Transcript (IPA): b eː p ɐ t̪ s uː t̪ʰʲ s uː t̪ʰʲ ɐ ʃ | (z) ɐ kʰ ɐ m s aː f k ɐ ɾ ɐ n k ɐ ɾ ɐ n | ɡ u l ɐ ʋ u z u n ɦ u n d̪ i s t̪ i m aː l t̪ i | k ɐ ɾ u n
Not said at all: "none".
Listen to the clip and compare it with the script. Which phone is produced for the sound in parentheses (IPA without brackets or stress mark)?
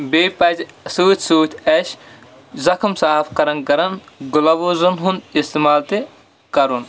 z